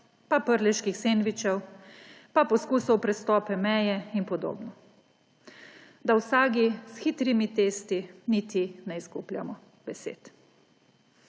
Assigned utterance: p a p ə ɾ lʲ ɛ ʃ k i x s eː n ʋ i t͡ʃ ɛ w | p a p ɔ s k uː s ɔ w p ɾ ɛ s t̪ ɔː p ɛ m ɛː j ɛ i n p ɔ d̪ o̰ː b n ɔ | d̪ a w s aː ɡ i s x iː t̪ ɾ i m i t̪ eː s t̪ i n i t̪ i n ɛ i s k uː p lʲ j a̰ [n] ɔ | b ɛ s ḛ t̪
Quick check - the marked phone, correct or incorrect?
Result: incorrect